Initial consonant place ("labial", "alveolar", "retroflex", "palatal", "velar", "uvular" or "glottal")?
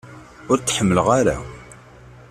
alveolar